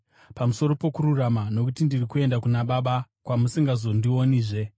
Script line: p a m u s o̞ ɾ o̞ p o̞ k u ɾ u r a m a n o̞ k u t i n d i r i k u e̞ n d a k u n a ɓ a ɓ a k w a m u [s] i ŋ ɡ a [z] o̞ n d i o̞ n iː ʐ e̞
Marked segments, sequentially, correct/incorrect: correct, correct

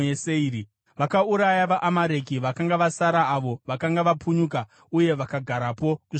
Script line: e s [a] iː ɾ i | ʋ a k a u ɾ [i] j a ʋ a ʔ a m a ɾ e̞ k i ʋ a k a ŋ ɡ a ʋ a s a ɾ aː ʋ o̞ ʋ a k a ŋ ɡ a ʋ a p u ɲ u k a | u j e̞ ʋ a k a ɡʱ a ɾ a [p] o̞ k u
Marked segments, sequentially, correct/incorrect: incorrect, incorrect, correct

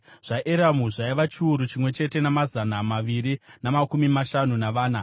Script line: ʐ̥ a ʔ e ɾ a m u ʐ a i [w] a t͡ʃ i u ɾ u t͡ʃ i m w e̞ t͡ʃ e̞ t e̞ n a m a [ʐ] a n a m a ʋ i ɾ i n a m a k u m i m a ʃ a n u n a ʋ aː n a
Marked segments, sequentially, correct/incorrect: incorrect, incorrect

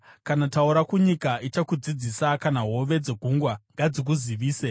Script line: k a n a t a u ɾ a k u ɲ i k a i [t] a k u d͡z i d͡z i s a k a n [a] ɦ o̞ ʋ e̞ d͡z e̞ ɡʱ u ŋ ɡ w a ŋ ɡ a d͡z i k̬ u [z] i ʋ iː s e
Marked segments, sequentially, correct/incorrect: incorrect, correct, correct

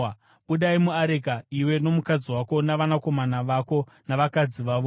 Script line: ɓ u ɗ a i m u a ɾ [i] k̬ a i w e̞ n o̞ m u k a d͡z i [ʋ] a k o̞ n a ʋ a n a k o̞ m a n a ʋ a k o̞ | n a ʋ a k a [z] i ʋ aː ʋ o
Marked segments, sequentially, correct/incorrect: incorrect, incorrect, incorrect

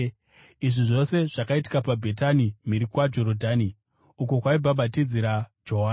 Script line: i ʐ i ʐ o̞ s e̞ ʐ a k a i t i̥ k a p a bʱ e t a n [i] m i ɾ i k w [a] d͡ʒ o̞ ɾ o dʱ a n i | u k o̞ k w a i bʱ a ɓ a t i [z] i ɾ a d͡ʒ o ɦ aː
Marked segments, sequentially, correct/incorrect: correct, correct, incorrect

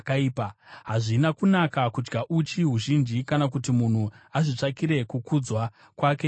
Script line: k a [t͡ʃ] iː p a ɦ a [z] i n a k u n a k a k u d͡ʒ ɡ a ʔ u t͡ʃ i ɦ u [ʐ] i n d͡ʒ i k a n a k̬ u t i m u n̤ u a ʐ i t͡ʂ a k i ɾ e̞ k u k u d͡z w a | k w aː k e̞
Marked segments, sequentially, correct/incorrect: incorrect, incorrect, incorrect

